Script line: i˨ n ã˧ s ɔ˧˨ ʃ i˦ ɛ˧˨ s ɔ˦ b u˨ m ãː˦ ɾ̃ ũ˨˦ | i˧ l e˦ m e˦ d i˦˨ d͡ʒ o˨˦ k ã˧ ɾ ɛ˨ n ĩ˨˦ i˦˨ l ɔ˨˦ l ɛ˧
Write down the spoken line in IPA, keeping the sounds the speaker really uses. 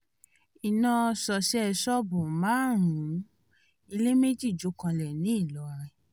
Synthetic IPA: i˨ n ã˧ s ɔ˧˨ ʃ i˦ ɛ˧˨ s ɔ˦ b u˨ m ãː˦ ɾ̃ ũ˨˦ | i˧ l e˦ m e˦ d͡ʒ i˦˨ d͡ʒ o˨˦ k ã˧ l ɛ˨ n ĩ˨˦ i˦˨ l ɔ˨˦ ɾ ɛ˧